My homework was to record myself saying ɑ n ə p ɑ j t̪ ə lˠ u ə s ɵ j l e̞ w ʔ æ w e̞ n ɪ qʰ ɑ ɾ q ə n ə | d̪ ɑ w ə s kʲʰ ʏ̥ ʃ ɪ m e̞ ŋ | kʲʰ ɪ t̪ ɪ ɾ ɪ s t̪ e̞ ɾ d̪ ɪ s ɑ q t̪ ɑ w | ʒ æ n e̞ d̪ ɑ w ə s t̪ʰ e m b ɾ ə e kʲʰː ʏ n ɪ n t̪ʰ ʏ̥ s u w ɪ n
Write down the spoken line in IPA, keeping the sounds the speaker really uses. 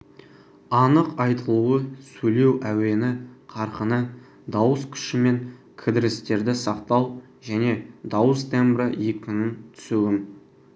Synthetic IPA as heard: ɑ n ə q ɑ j t̪ ə lˠ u ə s ɵ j l e̞ w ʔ æ w e̞ n ɪ qʰ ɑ ɾ q ə n ə | d̪ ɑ w ə s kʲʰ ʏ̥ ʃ ɪ m e̞ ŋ | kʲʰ ɪ d̪ ɪ ɾ ɪ s t̪ e̞ ɾ d̪ ɪ s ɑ q t̪ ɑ w | ʒ æ n e̞ d̪ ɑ w ə s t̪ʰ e m b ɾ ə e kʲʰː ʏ n ɪ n t̪ʰ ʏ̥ s u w ɪ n